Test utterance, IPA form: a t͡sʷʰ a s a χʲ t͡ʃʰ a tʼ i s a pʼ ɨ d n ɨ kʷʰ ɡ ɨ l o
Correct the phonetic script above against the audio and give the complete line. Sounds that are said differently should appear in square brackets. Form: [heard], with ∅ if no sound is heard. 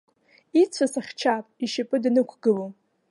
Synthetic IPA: [i] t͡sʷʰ a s a χʲ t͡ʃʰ a [pʼ] i [ʃ] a pʼ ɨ d n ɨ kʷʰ ɡ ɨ l o